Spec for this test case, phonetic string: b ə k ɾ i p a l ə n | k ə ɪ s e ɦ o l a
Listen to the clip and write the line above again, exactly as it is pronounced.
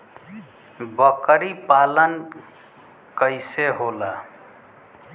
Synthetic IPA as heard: b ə k ɾ i p a l ə n | k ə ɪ s e ɦ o l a